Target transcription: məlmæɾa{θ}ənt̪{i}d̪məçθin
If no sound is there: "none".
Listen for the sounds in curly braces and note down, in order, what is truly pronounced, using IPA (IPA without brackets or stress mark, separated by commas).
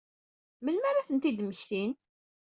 θ, i